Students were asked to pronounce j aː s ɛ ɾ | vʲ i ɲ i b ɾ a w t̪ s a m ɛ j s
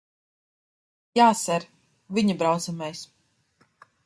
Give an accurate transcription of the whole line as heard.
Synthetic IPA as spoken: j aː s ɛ ɾ | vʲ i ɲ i b ɾ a w t̪ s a m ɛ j s